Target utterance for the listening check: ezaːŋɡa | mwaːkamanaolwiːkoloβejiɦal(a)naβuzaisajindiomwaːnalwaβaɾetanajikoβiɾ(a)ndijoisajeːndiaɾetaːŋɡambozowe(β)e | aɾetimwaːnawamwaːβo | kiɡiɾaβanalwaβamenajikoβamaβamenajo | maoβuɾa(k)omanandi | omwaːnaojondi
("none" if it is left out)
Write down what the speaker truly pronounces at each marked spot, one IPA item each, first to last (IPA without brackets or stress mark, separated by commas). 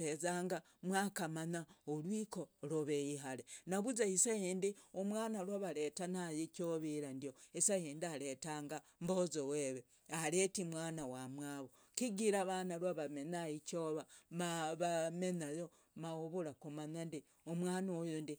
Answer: e, a, β, k